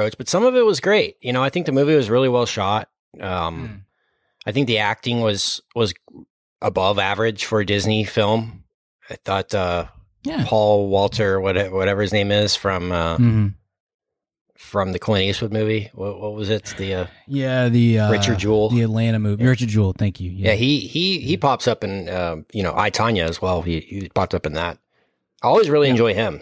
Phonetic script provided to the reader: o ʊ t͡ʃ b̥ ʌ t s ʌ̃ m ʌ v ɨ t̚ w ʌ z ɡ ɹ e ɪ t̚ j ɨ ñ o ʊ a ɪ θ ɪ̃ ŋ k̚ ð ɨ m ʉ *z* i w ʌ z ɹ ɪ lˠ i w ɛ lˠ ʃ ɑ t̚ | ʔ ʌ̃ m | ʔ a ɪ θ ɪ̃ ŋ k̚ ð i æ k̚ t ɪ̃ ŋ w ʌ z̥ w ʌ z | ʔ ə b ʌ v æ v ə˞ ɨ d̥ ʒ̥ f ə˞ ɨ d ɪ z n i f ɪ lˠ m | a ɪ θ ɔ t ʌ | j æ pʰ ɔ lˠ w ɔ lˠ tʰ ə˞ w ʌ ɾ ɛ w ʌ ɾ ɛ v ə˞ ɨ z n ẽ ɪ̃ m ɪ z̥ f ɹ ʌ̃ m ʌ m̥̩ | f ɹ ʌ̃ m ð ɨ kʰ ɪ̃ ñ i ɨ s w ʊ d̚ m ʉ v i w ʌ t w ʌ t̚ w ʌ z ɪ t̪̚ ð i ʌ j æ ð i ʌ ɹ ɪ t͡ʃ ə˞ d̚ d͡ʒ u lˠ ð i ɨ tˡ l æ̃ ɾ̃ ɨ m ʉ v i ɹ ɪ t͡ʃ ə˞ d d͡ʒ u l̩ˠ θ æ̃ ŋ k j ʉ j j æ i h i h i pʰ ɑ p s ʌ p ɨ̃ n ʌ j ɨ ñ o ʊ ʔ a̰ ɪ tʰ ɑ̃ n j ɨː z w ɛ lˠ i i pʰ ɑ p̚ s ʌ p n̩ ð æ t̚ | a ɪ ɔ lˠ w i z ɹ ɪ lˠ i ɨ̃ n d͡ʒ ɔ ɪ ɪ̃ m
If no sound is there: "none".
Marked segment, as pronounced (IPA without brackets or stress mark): v